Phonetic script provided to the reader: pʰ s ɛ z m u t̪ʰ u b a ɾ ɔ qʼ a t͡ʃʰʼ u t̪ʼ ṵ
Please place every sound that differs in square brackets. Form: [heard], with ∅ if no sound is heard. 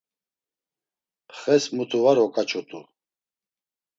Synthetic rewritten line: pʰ [χ] ɛ [s] m u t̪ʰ u [v] a ɾ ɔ [kʼ] a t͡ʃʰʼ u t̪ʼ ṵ